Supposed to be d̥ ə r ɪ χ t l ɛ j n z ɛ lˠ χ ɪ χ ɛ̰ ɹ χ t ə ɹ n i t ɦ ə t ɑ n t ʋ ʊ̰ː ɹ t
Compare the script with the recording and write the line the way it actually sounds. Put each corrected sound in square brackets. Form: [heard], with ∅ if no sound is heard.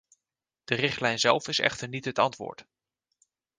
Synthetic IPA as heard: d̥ ə r ɪ χ t l ɛ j n z ɛ lˠ [f] ɪ [s] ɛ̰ [∅] χ t ə ɹ n i t ɦ ə t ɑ n t ʋ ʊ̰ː ɹ t